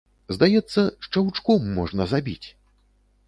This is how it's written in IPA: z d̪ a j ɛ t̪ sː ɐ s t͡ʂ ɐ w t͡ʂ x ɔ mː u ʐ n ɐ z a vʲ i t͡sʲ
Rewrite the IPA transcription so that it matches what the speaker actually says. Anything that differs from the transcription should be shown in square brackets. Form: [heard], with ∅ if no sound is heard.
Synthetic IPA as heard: z d̪ a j ɛ t̪ sː ɐ [ʂ] t͡ʂ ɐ w t͡ʂ [k] ɔ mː [ɔ] ʐ n ɐ z a [bʲ] i t͡sʲ